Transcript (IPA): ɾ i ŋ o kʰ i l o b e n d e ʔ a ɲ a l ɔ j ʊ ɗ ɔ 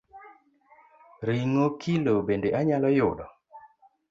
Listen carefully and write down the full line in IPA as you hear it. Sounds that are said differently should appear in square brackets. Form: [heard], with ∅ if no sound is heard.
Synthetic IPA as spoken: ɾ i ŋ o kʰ i l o b e n d e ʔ a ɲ a l ɔ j ʊ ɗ ɔ